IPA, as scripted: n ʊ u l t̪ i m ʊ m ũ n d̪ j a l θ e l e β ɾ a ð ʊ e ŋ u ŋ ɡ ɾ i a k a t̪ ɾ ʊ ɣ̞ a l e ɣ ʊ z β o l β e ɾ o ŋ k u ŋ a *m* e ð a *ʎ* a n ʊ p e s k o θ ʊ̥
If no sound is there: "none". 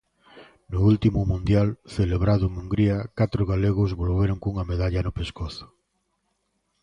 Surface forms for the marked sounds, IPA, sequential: m, ʎ

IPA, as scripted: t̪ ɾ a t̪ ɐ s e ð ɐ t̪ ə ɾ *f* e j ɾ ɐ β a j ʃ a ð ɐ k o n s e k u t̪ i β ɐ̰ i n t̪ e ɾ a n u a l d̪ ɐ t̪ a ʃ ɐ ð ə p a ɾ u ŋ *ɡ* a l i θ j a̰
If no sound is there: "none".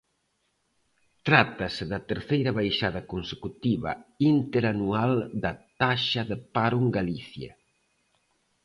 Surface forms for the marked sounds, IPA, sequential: θ, ɡ

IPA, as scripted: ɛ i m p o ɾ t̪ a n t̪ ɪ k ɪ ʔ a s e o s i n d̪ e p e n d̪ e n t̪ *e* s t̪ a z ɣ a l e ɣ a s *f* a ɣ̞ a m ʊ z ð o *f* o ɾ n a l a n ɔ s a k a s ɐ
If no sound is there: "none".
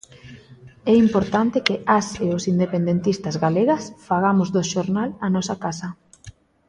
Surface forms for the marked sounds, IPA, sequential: i, f, ʃ

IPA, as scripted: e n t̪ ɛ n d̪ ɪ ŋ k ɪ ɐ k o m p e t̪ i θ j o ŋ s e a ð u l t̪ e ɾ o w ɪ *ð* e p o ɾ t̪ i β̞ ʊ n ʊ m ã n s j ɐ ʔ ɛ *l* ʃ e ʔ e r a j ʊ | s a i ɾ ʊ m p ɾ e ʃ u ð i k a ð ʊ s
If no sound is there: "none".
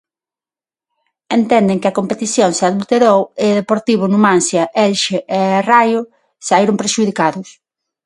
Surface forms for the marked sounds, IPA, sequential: ð, l

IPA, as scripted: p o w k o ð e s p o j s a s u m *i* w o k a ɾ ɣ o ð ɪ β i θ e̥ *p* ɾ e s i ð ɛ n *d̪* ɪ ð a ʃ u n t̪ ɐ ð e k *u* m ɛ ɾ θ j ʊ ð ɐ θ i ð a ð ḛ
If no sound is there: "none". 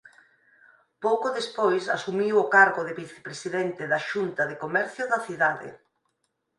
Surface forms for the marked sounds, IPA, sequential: i, p, t̪, o

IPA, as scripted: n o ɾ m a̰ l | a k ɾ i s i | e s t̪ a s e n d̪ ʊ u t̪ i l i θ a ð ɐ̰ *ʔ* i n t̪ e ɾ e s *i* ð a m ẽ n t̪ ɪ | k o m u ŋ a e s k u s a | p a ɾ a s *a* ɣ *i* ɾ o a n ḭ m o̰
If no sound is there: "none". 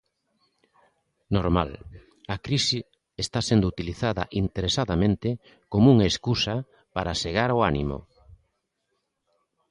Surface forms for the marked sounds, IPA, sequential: ʔ, a, e, a

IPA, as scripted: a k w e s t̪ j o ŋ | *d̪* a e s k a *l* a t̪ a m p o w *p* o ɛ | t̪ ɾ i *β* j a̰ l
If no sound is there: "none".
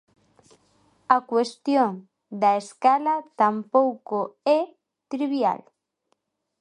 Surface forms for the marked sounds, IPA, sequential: d̪, l, k, β

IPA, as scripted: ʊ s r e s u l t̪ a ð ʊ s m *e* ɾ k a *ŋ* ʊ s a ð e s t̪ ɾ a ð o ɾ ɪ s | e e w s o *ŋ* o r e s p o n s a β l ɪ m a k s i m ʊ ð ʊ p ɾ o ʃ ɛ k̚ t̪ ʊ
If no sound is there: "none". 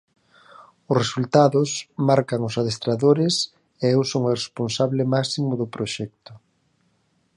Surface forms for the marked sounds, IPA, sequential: a, ŋ, ŋ

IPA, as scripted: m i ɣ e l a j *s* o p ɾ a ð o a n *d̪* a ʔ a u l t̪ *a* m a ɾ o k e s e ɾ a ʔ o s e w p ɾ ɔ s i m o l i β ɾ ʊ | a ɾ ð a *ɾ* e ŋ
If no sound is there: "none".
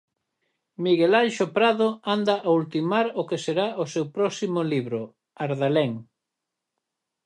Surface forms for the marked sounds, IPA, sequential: ʃ, d̪, i, l

